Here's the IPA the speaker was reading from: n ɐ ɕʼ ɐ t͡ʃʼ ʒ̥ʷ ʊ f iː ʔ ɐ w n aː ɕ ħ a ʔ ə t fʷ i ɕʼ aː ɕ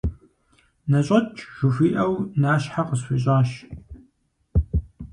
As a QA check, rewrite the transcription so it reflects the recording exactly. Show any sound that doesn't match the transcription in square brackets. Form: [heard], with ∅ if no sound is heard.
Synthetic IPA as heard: n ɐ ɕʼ ɐ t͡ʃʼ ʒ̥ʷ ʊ f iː ʔ ɐ w n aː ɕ ħ a [q] ə [s] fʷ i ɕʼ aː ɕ